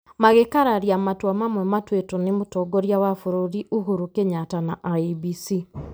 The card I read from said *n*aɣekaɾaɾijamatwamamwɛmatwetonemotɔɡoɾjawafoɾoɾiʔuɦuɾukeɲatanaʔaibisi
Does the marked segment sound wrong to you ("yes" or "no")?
yes